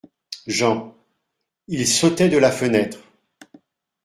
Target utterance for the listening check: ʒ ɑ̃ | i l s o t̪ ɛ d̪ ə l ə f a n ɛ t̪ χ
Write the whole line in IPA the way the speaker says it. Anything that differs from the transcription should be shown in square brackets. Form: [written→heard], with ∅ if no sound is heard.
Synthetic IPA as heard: ʒ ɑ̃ | i l s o t̪ ɛ d̪ ə l [ə→a] f [a→ə] n ɛ t̪ χ